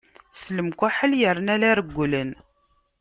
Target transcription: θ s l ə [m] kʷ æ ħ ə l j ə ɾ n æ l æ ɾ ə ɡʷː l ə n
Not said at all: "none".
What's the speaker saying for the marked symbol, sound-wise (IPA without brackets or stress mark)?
m